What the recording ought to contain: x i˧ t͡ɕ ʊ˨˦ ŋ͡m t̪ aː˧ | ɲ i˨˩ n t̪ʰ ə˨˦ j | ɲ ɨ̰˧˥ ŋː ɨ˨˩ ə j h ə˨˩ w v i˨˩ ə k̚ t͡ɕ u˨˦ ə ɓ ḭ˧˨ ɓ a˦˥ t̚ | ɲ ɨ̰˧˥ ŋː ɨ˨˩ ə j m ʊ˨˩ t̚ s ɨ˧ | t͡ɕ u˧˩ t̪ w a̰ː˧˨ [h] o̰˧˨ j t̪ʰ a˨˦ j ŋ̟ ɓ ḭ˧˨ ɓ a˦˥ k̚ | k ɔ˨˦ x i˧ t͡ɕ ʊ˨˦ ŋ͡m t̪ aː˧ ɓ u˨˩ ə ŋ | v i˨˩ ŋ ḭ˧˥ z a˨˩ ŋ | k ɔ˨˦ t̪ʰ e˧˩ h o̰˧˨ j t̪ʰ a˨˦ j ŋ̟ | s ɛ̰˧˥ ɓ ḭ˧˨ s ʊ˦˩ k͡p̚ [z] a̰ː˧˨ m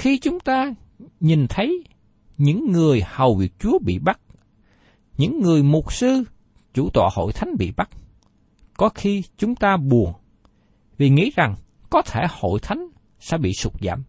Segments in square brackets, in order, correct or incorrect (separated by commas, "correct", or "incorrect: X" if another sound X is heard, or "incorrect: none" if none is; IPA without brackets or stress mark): correct, correct